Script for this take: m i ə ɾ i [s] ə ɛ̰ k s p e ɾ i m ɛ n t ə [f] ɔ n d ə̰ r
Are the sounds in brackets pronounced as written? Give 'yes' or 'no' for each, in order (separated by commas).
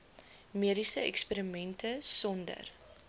yes, no